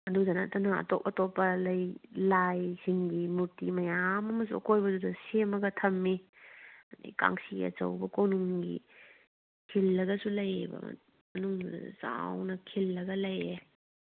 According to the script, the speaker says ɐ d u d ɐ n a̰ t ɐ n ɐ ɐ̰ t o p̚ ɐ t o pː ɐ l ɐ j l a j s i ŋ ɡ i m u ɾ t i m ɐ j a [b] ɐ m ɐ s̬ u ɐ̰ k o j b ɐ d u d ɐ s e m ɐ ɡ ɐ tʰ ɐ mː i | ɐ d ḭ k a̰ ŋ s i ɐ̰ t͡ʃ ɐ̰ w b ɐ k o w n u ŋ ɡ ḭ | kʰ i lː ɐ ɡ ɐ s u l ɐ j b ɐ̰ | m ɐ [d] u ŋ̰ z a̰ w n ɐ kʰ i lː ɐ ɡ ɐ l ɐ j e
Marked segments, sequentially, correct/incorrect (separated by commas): incorrect, incorrect